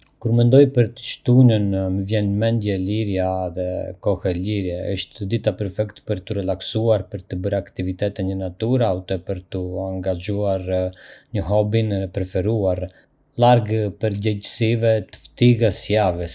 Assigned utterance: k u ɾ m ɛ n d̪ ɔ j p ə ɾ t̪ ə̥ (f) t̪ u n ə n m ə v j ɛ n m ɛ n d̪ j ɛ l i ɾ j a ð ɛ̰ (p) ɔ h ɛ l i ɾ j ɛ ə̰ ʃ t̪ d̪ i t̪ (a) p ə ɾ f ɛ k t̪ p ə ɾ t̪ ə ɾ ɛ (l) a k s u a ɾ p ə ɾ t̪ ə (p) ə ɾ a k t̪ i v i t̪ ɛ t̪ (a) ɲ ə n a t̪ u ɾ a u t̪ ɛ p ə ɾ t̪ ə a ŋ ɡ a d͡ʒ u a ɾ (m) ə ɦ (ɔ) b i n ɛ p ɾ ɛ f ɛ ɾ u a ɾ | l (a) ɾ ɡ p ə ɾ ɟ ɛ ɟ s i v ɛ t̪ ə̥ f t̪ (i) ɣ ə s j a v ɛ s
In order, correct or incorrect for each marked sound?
incorrect: ʃ, incorrect: k, correct, correct, incorrect: b, incorrect: ɛ, incorrect: ɲ, correct, correct, correct

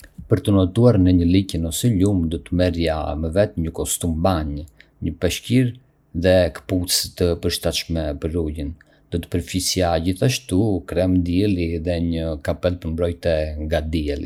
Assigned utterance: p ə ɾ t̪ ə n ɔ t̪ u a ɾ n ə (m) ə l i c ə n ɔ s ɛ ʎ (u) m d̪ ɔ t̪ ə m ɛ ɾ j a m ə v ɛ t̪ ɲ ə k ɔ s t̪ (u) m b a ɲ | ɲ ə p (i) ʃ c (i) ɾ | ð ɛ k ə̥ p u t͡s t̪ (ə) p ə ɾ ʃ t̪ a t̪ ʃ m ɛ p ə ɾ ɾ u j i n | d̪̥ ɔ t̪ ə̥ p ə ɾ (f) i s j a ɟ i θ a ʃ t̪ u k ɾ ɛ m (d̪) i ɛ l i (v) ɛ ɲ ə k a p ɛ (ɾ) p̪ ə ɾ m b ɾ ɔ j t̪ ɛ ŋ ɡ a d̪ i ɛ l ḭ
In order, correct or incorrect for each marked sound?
incorrect: ɲ, correct, correct, incorrect: ɛ, correct, correct, correct, correct, incorrect: ð, incorrect: l

